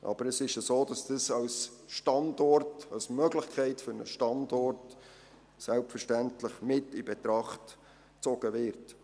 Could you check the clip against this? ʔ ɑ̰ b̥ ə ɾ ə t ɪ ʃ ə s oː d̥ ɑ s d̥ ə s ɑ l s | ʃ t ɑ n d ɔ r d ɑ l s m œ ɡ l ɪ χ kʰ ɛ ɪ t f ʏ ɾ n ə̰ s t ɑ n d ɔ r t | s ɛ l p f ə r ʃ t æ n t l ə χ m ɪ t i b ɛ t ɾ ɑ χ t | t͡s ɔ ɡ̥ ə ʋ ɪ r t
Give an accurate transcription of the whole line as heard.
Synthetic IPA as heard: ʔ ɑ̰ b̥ ə ɾ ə s ɪ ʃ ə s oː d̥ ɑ s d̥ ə s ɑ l s | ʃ t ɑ n d ɔ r t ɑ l s m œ ɡ l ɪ χ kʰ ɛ ɪ t f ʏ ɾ n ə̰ ʃ t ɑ n d ɔ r t | s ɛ l p f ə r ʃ t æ n t l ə χ m ɪ t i b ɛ t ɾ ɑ χ t | t͡s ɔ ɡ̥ ə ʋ ɪ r t